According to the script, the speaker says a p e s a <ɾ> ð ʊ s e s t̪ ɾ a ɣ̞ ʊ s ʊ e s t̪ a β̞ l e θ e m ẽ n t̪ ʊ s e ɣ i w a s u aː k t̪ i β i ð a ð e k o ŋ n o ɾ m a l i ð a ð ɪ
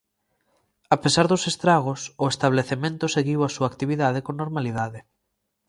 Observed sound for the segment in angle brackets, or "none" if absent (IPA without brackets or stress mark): ɾ